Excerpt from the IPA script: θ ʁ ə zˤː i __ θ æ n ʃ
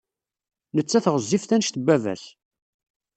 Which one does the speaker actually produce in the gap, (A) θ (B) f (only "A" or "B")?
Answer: B